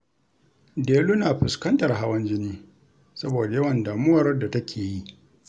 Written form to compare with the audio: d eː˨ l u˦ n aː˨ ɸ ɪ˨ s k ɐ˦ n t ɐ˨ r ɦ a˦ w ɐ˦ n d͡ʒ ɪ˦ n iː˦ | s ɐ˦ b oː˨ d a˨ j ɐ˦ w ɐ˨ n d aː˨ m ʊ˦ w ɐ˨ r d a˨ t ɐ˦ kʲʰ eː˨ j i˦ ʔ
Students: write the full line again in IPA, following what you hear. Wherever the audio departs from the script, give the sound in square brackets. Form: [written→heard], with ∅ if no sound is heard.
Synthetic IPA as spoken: d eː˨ l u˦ n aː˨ ɸ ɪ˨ s k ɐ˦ n t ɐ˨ r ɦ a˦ w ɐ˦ n d͡ʒ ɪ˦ n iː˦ | s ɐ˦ b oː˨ d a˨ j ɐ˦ w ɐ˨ n d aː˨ m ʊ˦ w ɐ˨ r d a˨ t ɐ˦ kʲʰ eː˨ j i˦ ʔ